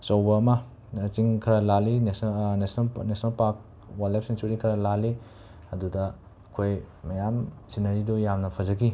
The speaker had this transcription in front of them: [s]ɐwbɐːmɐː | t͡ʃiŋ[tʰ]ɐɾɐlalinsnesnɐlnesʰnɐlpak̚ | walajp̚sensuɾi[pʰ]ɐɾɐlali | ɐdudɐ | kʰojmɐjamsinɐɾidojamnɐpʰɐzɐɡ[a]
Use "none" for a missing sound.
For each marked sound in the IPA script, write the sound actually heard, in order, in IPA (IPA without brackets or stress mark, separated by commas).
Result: s, kʰ, kʰ, i